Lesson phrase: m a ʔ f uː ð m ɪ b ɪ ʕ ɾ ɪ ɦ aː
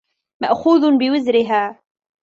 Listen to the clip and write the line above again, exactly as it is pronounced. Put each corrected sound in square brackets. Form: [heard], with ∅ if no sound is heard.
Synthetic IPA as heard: m a ʔ [x] uː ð [b] ɪ [w] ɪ [z] ɾ ɪ ɦ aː